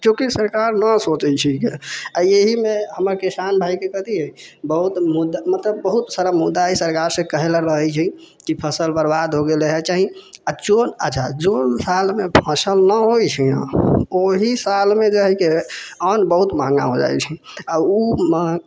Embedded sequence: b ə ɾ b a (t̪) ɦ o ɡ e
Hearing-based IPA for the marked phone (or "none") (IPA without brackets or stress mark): d̪